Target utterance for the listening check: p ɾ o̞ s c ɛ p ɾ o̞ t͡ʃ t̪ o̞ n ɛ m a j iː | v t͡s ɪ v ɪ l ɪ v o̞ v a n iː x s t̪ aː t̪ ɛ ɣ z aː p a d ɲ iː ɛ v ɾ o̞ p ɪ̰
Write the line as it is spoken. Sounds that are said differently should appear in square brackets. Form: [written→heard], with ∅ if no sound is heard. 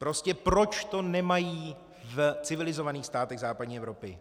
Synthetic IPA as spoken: p ɾ o̞ s c ɛ p ɾ o̞ t͡ʃ t̪ o̞ n ɛ m a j iː | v t͡s ɪ v ɪ l ɪ [v→z] o̞ v a n iː x s t̪ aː t̪ ɛ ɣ z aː p a d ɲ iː ɛ v ɾ o̞ p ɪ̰